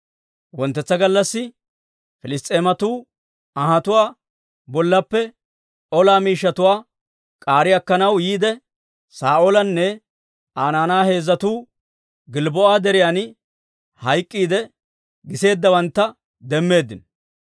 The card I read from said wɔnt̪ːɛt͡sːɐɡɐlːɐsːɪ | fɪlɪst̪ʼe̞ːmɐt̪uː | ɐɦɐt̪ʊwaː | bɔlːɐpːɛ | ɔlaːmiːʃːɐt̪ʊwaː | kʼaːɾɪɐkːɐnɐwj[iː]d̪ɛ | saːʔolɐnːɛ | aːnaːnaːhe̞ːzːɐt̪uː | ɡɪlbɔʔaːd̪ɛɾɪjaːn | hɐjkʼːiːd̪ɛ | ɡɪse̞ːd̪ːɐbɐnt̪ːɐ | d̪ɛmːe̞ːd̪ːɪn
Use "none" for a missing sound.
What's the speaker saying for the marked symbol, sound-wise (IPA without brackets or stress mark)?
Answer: iː